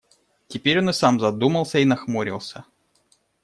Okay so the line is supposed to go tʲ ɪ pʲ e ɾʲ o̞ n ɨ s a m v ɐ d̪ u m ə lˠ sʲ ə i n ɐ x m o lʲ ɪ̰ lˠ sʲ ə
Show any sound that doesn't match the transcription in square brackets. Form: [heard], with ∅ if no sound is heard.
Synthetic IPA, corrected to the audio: tʲ ɪ pʲ e ɾʲ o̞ n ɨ s a m [z] ɐ d̪ u m ə lˠ sʲ ə i n ɐ x m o [ɾʲ] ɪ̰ lˠ sʲ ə